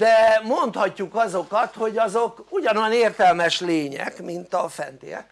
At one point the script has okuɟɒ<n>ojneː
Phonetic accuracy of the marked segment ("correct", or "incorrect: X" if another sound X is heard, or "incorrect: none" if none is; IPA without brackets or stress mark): correct